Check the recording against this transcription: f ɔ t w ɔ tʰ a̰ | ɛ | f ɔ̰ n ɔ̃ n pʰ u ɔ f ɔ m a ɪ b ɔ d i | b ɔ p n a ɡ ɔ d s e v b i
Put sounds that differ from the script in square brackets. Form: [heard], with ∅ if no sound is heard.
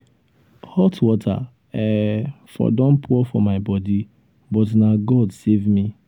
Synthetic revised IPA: [h] ɔ t w ɔ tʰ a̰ | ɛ | f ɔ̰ [d] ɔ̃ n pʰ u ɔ f ɔ m a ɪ b ɔ d i | b ɔ [t] n a ɡ ɔ d s e v [m] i